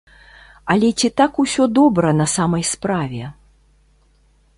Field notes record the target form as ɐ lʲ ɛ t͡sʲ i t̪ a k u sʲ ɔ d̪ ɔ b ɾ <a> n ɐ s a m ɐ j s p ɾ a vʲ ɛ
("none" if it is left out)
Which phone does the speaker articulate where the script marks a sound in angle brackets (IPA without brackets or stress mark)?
ɐ